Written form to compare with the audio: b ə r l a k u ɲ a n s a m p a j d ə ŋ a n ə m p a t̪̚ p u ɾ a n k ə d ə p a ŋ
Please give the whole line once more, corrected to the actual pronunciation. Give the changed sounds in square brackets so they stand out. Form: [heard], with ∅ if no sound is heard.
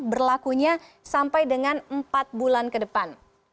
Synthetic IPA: b ə r l a k u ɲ a [∅] s a m p a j d ə ŋ a n ə m p a t̪̚ [b] u [l] a n k ə d ə p a [n]